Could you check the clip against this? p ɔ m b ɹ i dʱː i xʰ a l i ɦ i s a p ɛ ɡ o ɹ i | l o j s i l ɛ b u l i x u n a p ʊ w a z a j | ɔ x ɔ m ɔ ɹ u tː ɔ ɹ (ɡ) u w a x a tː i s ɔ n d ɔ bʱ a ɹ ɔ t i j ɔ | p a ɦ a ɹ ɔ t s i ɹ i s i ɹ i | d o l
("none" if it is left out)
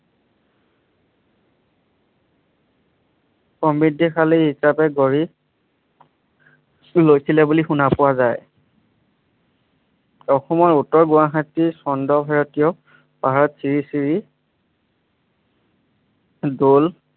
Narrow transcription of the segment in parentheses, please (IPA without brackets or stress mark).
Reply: ɡ